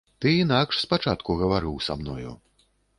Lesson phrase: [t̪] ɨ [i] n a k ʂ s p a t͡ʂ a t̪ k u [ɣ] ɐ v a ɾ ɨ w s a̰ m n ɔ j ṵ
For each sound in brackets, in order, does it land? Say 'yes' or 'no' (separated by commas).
yes, yes, yes